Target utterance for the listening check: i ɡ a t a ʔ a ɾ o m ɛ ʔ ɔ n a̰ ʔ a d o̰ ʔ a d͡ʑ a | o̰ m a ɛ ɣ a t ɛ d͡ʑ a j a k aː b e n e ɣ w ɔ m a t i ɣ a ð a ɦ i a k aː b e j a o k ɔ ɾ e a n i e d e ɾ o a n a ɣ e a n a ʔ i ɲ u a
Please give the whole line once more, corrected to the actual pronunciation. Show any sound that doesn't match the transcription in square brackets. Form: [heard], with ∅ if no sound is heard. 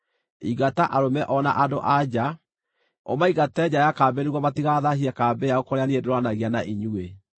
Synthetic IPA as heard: i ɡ a t a ʔ a ɾ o m ɛ ʔ ɔ n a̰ ʔ a d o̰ ʔ a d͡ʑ a | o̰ m a [i] ɣ a t ɛ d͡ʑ a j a k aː b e n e ɣ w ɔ m a t i ɣ a ð a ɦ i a k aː b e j a o k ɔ ɾ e a n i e d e ɾ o a n a ɣ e a n a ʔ i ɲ u [e]